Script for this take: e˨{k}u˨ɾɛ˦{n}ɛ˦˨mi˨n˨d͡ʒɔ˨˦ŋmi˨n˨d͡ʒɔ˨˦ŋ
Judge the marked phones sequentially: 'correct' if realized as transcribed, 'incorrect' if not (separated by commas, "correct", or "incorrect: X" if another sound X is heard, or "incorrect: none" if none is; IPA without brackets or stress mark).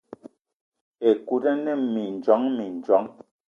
correct, correct